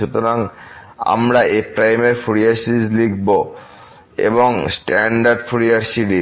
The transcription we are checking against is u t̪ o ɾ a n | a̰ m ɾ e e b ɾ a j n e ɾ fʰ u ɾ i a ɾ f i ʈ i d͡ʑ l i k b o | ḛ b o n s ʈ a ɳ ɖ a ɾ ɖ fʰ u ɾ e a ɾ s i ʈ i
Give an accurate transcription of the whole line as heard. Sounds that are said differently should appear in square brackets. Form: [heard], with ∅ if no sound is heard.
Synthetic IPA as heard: u t̪ o ɾ a [ŋ] | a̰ m ɾ [a] e [p] ɾ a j [m] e ɾ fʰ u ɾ i a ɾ [s] i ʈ i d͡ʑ l i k b o | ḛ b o [ŋ] s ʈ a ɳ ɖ a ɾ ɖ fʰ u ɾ [i] a ɾ s i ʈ i